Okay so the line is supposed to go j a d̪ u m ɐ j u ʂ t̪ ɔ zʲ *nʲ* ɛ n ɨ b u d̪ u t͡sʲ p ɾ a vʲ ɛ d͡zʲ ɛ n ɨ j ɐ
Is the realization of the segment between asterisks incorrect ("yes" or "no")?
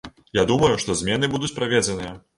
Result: yes